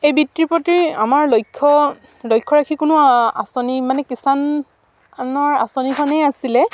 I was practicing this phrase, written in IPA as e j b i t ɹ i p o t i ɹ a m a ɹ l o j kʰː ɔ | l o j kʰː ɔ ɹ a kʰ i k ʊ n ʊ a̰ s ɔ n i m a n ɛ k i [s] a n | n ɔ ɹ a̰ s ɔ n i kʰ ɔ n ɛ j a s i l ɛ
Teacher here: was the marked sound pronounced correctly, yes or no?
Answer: yes